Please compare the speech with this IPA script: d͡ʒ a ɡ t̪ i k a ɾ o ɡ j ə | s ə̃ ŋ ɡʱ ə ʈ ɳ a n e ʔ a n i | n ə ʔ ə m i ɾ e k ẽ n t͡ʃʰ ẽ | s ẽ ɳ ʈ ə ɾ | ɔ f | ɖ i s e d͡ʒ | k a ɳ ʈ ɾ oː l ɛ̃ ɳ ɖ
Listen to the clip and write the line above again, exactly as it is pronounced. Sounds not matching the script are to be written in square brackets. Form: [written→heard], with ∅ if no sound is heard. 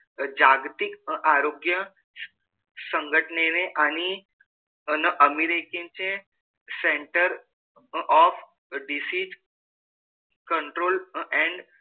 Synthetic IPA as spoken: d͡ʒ a ɡ t̪ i k a ɾ o ɡ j ə | s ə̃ ŋ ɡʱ ə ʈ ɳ [a→e] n e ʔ a n i | n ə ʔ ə m i ɾ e k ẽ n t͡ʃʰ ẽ | s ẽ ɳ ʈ ə ɾ | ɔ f | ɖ i s [e→i] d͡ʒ | k [a→ə] ɳ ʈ ɾ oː l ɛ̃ ɳ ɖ